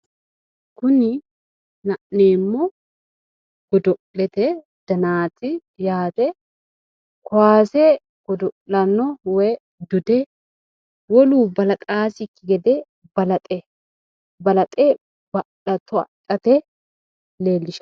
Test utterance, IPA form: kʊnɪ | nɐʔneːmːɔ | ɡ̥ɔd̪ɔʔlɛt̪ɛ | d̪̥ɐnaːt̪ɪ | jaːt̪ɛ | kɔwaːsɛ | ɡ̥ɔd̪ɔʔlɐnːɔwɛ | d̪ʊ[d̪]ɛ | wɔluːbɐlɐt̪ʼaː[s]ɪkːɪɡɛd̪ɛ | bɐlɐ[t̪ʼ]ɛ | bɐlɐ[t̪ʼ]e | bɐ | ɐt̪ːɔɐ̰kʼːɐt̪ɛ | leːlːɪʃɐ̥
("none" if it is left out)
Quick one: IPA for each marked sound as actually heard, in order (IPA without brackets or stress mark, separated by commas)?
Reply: d̪, s, t̪ʼ, t̪ʼ